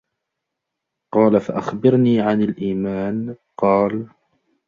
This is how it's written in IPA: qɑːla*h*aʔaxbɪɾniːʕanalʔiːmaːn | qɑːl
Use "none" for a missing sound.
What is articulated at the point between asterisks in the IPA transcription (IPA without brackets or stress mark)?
f